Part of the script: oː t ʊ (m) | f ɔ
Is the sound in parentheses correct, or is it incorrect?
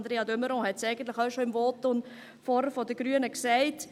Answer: incorrect